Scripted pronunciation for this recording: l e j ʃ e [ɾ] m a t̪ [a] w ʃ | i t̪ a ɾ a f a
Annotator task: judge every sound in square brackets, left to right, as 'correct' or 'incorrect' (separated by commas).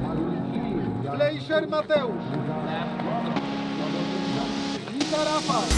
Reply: correct, incorrect